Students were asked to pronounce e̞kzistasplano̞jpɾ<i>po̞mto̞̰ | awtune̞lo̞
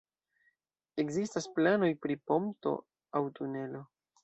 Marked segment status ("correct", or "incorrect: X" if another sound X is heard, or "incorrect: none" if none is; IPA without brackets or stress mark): correct